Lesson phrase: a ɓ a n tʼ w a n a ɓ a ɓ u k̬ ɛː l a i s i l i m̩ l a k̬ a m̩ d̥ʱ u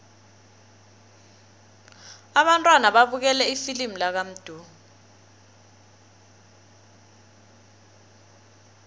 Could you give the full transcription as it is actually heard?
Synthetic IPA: a ɓ a n tʼ w a n a ɓ a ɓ u k̬ ɛ l ɛ i f i l i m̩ l a k̬ a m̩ d̥ʱ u